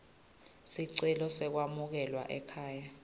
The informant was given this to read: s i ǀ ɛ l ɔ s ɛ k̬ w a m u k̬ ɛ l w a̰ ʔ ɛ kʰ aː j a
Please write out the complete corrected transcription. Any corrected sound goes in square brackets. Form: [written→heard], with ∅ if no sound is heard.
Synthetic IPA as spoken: s i ǀ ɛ l ɔ s ɛ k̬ w a m u k̬ ɛ l w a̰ ʔ ɛ kʰ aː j a